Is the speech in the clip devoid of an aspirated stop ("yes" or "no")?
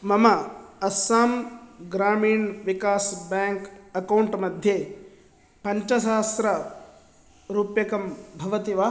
yes